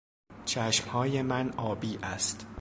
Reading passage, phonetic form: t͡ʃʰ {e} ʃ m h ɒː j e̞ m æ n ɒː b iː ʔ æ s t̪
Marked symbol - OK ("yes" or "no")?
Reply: no